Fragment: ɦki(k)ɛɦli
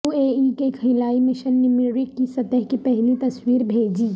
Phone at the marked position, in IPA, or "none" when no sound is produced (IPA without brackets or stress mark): p